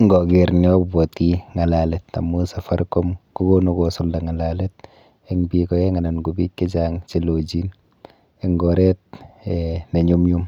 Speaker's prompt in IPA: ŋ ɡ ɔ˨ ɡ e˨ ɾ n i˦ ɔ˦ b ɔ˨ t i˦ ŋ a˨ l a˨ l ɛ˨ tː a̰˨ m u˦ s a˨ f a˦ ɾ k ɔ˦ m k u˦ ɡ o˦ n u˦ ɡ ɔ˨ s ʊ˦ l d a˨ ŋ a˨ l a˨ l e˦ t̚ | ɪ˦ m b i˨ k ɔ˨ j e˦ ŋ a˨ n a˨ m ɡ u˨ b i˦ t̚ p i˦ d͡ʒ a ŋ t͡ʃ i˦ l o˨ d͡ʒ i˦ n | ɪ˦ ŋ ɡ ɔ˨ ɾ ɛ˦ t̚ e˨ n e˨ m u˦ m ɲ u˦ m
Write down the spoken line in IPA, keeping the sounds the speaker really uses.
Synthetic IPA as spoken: ŋ ɡ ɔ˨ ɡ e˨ ɾ n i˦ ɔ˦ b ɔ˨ t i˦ ŋ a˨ l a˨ l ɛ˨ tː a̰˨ m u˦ s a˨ f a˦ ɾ k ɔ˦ m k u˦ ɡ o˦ n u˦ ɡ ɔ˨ s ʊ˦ l d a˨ ŋ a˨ l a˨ l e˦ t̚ | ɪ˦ ŋ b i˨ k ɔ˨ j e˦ ŋ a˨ n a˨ n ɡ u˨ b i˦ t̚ k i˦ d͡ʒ a ŋ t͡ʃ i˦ l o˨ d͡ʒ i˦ n | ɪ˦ ŋ ɡ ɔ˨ ɾ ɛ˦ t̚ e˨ n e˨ ɲ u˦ m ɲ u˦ m